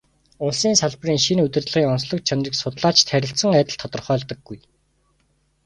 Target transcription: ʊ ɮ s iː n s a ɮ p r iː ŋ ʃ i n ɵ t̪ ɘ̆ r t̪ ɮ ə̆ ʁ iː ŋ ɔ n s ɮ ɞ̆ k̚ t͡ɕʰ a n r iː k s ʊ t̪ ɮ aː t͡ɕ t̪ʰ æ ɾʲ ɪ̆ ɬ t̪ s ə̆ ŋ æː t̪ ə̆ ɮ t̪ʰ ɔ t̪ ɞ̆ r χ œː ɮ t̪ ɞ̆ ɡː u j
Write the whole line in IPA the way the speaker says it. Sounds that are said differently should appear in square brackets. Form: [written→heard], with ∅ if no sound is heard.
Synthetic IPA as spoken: ʊ ɮ s iː n s a ɮ p r iː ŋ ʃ i n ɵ t̪ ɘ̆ r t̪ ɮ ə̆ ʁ iː ŋ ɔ n s ɮ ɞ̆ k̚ t͡ɕʰ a n r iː k s ʊ t̪ ɮ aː t͡ɕ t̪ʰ æ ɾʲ ɪ̆ ɬ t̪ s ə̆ ŋ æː t̪ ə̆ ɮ t̪ʰ ɔ t̪ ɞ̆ r χ œː ɮ t̪ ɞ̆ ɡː u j